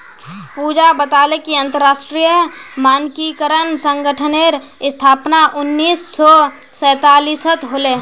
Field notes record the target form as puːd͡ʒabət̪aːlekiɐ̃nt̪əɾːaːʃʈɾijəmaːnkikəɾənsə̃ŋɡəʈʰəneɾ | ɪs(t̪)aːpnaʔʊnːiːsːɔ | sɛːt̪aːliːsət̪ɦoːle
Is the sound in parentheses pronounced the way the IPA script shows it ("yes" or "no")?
no